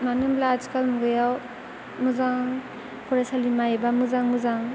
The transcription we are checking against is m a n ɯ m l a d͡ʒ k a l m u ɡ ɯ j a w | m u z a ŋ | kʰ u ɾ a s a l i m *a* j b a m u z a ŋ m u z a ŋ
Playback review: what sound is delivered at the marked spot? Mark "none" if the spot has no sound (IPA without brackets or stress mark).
a